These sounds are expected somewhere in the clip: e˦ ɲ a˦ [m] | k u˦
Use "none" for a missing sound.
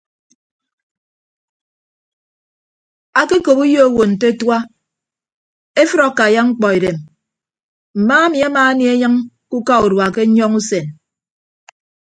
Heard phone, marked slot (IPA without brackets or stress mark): ŋ